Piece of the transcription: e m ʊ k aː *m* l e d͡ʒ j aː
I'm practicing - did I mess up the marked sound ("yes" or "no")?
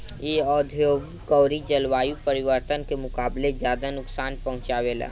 yes